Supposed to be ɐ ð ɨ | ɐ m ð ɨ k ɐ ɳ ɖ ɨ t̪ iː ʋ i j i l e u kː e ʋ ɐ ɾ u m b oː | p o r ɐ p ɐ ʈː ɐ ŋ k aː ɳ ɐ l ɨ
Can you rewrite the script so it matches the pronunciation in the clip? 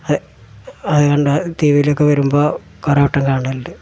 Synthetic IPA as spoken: ɐ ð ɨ | ɐ ð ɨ k ɐ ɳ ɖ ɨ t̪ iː ʋ i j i l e o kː e ʋ ɐ ɾ u m b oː | k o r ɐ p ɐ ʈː ɐ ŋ k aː ɳ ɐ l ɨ